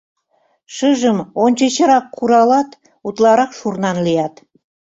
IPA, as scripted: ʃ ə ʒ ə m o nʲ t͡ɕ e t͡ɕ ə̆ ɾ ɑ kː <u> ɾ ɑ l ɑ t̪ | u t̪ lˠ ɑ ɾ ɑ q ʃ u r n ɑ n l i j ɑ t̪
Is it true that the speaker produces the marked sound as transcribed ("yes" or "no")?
yes